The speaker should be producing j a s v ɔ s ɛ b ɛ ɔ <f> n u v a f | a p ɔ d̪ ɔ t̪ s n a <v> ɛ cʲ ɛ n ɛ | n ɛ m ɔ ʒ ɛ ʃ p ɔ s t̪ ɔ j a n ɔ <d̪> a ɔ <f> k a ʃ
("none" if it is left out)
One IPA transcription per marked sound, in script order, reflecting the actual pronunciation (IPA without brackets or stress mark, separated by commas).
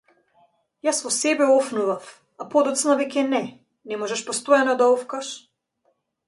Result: f, v, d̪, f